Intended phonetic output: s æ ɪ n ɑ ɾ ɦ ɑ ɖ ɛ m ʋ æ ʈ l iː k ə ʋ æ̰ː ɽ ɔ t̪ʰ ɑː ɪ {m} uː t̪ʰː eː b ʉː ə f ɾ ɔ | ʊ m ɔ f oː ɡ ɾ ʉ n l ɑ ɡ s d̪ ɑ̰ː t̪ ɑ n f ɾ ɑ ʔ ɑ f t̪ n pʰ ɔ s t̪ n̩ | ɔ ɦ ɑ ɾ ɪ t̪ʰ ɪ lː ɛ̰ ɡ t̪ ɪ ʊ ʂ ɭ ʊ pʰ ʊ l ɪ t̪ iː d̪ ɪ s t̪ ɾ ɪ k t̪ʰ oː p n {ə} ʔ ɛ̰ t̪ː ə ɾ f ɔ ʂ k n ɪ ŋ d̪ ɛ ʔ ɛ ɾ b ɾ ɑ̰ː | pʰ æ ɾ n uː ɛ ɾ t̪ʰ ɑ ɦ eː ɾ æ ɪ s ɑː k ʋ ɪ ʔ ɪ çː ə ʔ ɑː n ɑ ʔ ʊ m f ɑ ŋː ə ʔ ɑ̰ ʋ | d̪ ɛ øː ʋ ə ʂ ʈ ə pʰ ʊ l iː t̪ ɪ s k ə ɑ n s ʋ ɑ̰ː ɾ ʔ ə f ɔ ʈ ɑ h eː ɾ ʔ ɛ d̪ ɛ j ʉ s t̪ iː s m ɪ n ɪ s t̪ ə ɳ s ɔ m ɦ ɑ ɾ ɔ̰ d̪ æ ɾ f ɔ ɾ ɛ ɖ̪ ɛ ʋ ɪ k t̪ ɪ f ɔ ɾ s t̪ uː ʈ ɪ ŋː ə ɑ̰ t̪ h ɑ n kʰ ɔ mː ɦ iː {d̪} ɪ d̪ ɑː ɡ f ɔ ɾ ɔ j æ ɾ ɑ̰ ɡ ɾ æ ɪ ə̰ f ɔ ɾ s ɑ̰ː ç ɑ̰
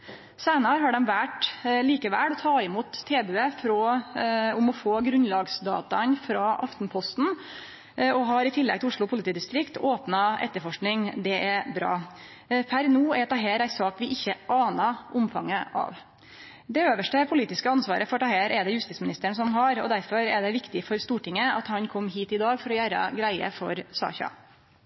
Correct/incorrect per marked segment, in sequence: correct, incorrect: ɑ, incorrect: t̪

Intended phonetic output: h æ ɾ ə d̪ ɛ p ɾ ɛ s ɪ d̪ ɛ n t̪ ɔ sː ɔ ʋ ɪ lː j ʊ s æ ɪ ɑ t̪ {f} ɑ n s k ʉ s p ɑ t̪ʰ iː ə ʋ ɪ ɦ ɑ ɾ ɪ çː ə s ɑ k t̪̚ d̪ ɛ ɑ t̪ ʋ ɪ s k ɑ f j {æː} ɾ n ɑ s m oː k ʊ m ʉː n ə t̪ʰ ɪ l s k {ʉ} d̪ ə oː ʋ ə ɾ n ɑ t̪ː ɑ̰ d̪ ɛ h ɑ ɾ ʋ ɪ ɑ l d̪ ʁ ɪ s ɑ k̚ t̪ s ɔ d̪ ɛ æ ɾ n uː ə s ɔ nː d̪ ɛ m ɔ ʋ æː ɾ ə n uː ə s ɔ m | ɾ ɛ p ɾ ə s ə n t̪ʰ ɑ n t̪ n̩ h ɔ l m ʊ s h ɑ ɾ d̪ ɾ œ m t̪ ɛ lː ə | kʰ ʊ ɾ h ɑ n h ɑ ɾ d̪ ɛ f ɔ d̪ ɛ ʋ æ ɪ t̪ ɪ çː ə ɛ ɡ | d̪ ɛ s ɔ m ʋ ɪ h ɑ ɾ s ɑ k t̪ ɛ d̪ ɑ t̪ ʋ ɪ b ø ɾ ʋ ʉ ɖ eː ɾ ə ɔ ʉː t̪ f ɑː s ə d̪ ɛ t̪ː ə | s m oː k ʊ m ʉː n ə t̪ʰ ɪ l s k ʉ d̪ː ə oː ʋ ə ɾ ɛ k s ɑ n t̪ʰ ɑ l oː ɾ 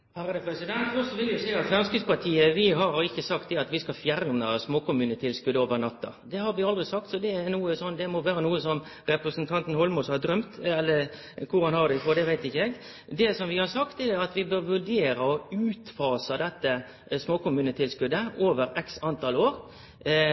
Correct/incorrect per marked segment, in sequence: correct, incorrect: æ, correct

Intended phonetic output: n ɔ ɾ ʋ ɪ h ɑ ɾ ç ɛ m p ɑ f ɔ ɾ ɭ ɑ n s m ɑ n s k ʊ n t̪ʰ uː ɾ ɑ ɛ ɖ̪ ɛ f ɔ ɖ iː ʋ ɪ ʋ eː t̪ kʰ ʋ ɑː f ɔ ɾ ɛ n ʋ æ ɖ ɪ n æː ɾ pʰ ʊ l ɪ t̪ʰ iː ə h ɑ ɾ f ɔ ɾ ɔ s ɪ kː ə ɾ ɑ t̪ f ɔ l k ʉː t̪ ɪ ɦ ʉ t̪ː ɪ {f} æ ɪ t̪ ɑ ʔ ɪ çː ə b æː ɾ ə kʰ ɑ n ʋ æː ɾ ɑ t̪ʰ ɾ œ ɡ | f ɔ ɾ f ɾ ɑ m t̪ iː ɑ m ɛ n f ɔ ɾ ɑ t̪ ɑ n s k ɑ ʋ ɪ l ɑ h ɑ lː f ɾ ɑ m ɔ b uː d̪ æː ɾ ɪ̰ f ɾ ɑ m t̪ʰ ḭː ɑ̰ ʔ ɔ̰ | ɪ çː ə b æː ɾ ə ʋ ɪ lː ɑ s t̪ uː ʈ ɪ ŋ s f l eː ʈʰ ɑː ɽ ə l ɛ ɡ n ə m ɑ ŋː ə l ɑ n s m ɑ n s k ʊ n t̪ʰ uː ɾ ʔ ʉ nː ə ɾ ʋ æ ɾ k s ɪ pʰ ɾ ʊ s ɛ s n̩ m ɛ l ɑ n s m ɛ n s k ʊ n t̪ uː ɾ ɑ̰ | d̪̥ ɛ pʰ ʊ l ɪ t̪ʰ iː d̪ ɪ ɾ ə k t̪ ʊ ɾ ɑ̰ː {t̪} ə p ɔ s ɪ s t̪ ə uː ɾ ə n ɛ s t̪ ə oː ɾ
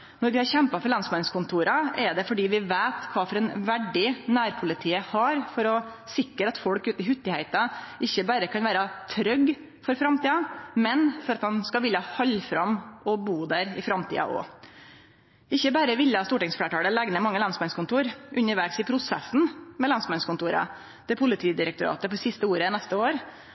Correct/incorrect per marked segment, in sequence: incorrect: h, correct

